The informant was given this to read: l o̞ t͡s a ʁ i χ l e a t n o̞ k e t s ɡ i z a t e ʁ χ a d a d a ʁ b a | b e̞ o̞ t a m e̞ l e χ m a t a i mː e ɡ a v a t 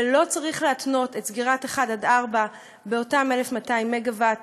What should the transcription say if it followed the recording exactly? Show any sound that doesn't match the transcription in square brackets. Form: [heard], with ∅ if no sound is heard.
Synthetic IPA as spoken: l o̞ t͡s a ʁ i χ l e a t n o̞ [t] e t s ɡ i [ʁ] a t e [∅] χ a d a d a ʁ b a | b e̞ o̞ t a m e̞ l e [f] m a t a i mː e ɡ a v a t